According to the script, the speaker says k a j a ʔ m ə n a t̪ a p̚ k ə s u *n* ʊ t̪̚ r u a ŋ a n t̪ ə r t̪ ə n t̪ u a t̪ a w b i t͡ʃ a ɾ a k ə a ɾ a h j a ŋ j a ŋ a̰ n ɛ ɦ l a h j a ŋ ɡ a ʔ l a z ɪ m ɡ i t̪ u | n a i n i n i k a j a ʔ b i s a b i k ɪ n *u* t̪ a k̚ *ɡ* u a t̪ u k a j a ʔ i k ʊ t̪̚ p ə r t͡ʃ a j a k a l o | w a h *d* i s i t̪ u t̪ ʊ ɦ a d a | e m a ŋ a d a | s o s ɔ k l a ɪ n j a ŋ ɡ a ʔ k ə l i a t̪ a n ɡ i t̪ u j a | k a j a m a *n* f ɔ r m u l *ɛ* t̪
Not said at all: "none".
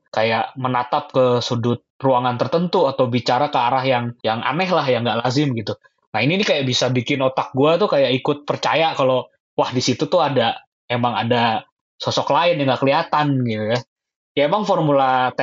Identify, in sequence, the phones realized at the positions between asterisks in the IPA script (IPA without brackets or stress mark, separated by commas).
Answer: d, o, ɡ, d, ŋ, a